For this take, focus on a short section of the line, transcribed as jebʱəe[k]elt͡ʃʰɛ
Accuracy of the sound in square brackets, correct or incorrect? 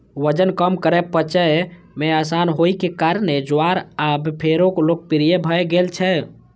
incorrect